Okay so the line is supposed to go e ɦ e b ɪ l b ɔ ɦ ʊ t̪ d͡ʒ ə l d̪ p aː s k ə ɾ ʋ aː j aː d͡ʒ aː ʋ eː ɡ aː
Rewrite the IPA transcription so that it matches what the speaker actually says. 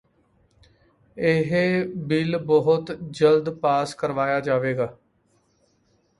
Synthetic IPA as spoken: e ɦ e b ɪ l b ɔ ɦ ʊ t̪ d͡ʒ ə l d̪ p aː s k ə ɾ ʋ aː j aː d͡ʒ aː ʋ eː ɡ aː